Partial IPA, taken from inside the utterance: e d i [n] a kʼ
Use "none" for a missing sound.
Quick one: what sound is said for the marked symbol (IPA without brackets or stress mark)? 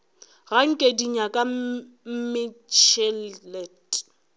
ɲ